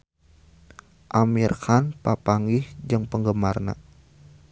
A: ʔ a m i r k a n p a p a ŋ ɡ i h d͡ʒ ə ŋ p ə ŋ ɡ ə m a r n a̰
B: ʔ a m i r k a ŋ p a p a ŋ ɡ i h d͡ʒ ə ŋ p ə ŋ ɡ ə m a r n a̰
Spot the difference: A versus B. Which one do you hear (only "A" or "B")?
A